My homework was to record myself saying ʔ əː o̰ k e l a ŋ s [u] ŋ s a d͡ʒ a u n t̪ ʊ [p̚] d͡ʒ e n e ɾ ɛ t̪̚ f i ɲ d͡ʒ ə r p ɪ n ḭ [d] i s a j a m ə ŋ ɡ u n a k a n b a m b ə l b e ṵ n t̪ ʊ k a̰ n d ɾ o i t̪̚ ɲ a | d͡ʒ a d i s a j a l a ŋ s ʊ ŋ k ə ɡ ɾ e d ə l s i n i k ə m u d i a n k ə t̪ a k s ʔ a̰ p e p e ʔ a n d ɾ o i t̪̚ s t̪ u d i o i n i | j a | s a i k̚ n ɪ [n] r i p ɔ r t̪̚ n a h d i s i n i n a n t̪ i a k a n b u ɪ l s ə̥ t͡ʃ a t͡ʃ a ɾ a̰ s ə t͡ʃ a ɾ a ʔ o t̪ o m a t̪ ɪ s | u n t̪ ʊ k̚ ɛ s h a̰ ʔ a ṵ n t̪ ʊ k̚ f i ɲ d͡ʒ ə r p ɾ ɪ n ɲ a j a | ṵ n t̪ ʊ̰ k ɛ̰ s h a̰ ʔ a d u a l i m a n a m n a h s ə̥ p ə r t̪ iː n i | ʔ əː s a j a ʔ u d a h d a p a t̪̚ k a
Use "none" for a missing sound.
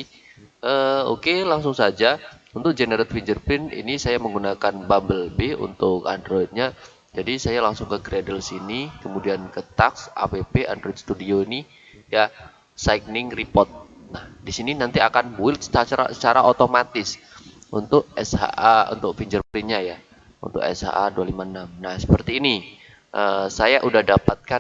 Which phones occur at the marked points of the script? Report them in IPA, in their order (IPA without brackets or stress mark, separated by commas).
ʊ, k̚, n, ŋ